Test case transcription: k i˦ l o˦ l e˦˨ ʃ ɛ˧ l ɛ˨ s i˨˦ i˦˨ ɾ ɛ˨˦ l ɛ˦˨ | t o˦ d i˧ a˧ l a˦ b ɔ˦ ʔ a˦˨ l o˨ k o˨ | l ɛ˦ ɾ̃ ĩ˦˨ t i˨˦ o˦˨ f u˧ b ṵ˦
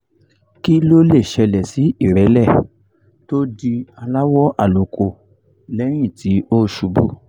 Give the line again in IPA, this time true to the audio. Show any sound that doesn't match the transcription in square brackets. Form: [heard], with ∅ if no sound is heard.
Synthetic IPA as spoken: k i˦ l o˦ l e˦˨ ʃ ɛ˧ l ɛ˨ s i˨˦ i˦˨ ɾ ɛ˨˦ l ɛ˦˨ | t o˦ d i˧ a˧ l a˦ [w] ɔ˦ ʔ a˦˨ l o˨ k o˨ | l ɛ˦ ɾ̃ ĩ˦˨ t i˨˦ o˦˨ [ʃ] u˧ b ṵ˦